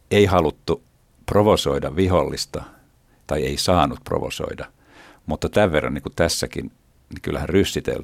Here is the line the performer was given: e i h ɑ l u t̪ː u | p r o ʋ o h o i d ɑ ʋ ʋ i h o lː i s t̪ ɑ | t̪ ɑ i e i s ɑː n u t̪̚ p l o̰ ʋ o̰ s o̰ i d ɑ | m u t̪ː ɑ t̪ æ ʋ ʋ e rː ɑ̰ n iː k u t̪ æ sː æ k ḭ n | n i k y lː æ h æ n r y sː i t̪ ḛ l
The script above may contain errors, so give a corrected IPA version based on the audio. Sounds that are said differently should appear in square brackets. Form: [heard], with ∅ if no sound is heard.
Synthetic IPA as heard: e i h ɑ l u t̪ː u | p r o ʋ o [s] o i d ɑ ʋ ʋ i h o lː i s t̪ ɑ | t̪ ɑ i e i s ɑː n u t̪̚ p [r] o̰ ʋ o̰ s o̰ i d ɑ | m u t̪ː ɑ t̪ æ ʋ ʋ e rː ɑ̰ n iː k u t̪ æ sː æ k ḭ n | n i k y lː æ h æ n r y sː i t̪ ḛ l